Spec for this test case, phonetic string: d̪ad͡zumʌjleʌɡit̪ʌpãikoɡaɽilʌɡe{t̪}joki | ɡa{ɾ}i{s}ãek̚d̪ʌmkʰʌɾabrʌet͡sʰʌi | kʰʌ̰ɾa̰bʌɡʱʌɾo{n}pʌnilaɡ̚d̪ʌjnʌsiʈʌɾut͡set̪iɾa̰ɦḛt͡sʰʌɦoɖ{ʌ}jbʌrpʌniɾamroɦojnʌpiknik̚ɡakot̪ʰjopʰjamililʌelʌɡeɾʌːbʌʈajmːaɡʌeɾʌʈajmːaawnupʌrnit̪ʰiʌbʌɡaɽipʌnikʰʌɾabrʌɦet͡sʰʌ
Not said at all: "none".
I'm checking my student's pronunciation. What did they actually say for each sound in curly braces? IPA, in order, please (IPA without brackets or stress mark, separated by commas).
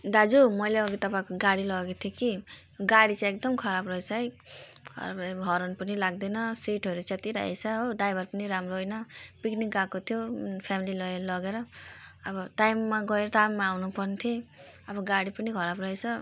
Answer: t̪ʰ, ɽ, t͡s, n, a